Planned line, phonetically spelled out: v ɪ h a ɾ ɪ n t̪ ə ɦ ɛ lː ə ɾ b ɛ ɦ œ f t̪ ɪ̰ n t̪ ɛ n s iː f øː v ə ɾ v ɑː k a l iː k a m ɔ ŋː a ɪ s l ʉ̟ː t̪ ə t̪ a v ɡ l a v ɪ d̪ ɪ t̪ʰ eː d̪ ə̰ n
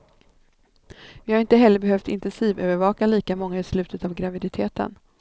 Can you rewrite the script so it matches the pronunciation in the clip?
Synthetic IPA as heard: v ɪ h a ɾ ɪ n t̪ ə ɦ ɛ lː ə ɾ b ɛ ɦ œ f t̪ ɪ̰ n t̪ ɛ n s iː v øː v ə ɾ v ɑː k a l iː k a m ɔ ŋː a ɪ s l ʉ̟ː t̪ ə t̪ a v ɡ ɾ a v ɪ d̪ ɪ t̪ʰ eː t̪ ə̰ n